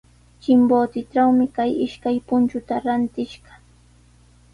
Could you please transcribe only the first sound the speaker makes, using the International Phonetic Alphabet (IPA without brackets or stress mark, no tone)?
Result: t͡ʃ